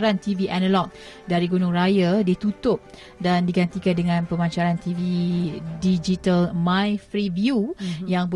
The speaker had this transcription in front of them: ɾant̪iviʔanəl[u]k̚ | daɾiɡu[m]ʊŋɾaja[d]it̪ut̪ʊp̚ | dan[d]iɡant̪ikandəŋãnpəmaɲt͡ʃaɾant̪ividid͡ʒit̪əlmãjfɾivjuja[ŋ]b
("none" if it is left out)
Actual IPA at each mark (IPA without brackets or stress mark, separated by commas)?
ɔ, n, d, d, ŋ